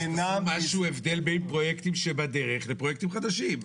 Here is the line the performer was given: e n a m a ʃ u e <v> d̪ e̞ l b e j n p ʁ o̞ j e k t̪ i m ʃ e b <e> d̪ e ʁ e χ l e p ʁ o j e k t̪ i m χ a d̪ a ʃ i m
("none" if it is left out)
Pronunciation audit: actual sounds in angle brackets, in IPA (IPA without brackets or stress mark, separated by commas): v, a